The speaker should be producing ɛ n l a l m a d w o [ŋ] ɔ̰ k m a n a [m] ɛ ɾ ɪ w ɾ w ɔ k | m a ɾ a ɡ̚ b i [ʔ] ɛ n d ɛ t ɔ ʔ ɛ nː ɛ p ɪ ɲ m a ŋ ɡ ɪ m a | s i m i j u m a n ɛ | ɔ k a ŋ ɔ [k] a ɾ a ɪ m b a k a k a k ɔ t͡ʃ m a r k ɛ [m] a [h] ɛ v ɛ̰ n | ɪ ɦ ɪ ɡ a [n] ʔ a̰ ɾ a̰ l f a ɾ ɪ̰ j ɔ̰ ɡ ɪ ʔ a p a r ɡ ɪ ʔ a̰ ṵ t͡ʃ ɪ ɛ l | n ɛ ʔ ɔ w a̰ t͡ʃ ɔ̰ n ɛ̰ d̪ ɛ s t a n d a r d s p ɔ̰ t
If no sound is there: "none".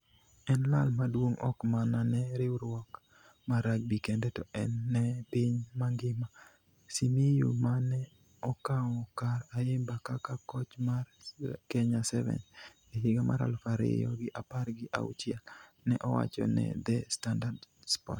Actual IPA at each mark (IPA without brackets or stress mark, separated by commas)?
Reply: ŋ, n, k, k, ɲ, s, m